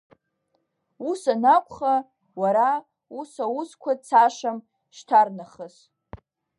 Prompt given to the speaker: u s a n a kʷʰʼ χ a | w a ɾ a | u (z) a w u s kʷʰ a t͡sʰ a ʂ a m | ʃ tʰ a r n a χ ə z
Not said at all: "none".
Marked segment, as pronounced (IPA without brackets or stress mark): s